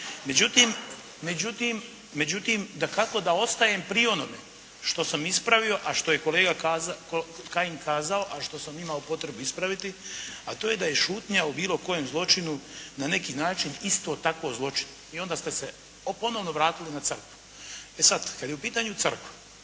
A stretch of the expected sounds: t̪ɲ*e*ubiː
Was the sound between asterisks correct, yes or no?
no